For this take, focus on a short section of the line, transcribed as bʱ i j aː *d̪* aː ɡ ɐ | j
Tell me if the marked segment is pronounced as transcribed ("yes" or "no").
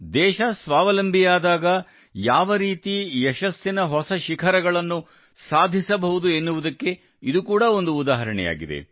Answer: yes